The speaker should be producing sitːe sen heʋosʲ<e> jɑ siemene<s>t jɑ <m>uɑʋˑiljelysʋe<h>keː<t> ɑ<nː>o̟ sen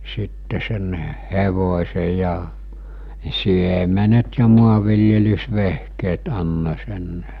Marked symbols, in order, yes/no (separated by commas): yes, no, yes, yes, yes, yes